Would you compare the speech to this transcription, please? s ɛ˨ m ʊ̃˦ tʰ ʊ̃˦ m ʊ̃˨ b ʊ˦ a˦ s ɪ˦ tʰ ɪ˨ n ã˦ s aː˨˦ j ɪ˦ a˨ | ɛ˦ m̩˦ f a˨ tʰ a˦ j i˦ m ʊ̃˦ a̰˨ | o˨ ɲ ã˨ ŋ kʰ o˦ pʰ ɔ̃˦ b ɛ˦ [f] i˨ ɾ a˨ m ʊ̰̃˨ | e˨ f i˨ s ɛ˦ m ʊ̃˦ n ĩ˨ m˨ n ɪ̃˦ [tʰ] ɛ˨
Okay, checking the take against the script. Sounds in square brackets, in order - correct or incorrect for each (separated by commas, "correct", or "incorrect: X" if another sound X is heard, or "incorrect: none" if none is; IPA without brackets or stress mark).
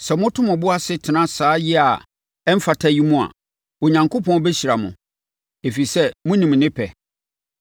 incorrect: ɕ, incorrect: pʰ